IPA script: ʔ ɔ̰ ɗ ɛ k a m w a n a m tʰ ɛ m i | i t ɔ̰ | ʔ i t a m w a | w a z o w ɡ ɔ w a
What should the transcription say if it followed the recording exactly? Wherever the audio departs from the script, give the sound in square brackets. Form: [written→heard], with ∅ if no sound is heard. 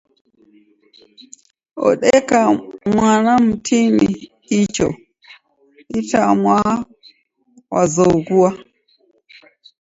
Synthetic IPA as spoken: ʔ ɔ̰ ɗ ɛ k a m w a n a m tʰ [ɛ→i] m i | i [t→t͡ʃ] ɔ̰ | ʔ i t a m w a | w a z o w ɡ [ɔ→u] w a